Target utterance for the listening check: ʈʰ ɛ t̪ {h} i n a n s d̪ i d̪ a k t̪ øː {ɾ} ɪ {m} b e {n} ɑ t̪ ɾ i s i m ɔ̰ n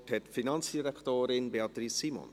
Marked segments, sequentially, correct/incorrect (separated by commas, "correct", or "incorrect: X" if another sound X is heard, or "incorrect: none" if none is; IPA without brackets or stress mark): incorrect: f, correct, incorrect: n, incorrect: none